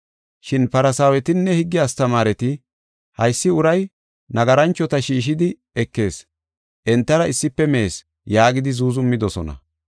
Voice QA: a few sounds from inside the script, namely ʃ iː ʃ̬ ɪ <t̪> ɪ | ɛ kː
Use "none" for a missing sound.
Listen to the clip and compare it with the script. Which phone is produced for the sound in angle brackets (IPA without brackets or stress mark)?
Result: d̪